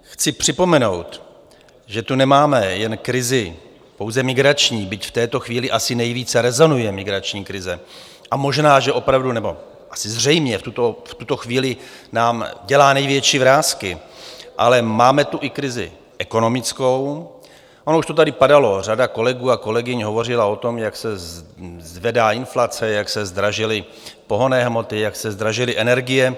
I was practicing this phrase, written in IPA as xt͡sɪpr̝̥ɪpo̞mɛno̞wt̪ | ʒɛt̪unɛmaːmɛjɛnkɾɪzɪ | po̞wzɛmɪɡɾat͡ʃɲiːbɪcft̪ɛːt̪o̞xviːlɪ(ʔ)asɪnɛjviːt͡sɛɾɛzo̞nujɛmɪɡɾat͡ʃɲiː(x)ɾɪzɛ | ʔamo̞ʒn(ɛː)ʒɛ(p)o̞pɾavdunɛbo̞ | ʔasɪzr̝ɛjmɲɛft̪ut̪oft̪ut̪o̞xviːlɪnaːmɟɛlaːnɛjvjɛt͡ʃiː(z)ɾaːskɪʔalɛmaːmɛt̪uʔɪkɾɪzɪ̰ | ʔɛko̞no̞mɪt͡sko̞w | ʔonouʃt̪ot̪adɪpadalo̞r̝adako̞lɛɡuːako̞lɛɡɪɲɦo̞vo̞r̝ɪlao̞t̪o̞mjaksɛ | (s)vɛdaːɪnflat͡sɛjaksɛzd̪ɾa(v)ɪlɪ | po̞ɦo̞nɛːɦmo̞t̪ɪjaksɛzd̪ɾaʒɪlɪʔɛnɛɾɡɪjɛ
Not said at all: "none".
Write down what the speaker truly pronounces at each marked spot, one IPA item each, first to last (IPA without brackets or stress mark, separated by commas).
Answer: ʔ, k, aː, ʔ, v, z, ʒ